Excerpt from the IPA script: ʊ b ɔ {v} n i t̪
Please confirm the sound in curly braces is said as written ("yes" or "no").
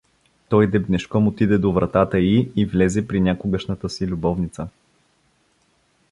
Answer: yes